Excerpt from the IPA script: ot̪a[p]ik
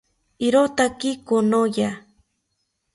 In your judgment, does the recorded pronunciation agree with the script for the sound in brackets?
no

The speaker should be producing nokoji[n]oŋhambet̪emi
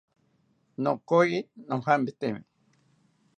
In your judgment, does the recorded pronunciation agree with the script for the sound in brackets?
yes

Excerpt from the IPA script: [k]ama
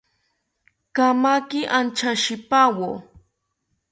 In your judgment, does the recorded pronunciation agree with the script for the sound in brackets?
yes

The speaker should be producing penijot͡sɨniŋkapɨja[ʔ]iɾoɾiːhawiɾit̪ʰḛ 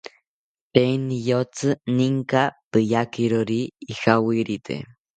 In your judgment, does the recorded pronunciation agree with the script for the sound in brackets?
no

